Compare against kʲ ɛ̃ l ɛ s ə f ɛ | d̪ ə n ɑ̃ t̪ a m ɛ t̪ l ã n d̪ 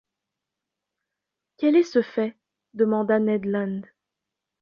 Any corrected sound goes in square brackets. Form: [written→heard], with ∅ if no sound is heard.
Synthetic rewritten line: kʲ [ɛ̃→ɛ] l ɛ s ə f ɛ | d̪ ə [n→m] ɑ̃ [t̪→d̪] a [m→n] ɛ [t̪→d̪] l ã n d̪